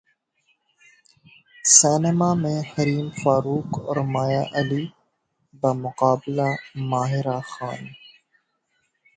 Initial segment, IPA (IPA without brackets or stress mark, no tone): s